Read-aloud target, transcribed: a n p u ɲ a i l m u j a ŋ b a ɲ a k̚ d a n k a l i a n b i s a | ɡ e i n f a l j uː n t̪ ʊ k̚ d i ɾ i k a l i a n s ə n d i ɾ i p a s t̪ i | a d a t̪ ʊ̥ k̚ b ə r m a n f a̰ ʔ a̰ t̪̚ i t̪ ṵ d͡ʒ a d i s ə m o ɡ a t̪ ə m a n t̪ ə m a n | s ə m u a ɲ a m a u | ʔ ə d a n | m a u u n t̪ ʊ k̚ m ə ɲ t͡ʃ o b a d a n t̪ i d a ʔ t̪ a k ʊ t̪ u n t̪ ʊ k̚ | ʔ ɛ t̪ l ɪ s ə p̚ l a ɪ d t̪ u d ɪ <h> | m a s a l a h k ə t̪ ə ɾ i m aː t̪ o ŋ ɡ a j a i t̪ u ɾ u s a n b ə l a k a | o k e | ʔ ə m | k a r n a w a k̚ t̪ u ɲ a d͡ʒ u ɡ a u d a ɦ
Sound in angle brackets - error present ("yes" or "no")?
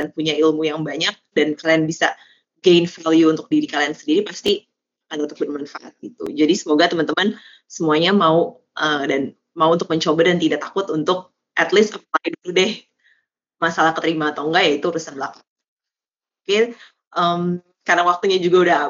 no